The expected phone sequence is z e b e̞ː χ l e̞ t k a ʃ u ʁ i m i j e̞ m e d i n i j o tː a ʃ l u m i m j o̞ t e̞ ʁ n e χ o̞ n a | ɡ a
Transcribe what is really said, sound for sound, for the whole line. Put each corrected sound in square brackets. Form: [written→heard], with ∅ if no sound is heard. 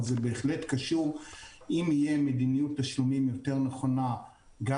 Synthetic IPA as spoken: z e b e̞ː χ l e̞ t k a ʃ u ʁ i m i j e̞ m e d i n i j [o→u] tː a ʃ l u m i m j o̞ t e̞ ʁ n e χ o̞ n a | ɡ a